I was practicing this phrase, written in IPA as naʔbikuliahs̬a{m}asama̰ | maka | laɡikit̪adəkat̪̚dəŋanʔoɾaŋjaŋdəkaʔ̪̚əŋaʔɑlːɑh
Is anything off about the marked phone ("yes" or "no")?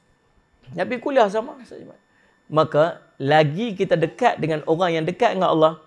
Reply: no